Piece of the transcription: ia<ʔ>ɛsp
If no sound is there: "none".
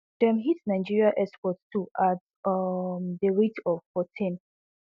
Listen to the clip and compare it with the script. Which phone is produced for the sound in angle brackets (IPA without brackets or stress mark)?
ʔ